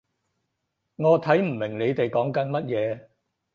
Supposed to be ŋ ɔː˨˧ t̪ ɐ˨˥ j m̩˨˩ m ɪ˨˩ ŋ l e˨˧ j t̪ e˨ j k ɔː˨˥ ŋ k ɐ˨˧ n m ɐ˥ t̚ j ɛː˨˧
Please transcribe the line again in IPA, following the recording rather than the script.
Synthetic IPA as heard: ŋ ɔː˨˧ t̪ʰ ɐ˨˥ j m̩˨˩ m ɪ˨˩ ŋ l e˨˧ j t̪ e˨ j k ɔː˨˥ ŋ k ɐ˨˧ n m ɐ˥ t̚ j ɛː˨˧